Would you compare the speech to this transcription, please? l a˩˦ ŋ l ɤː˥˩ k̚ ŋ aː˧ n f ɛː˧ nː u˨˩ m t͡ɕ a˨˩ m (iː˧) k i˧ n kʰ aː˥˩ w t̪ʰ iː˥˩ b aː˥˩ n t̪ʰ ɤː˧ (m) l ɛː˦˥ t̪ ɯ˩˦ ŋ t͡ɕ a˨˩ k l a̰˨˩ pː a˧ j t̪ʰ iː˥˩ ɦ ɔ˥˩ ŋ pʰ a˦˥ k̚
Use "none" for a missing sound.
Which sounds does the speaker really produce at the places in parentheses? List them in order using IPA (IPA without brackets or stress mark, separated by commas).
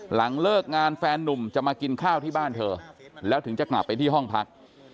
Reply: aː˧, none